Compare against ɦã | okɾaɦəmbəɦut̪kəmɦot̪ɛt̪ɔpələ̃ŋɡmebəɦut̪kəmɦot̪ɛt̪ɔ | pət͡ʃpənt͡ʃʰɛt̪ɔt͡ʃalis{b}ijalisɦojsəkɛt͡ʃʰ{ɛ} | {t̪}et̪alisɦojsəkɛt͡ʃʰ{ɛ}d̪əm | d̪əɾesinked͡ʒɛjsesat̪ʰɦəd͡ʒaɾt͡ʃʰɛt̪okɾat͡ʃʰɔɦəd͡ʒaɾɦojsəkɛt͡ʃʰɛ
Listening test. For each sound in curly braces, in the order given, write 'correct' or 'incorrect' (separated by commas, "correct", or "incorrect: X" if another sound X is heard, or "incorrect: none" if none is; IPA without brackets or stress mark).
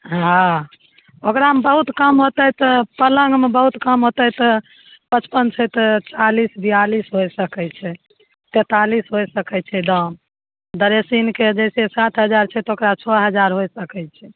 correct, correct, correct, correct